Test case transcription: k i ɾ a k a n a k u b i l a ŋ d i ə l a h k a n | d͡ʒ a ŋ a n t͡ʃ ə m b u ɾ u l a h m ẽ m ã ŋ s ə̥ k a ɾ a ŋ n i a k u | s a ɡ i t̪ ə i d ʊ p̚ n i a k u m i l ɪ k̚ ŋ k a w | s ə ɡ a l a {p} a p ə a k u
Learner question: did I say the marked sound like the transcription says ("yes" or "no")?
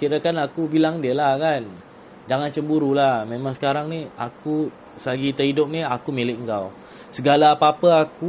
yes